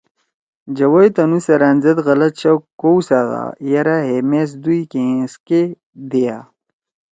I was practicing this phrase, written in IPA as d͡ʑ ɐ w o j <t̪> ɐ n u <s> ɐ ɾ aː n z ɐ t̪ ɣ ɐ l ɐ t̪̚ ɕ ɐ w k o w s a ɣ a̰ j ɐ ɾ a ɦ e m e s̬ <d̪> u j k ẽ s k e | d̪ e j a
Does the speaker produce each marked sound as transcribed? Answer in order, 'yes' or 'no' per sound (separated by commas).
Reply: yes, yes, yes